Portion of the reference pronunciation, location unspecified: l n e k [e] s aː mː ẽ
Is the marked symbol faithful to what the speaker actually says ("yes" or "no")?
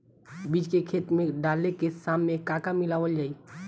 yes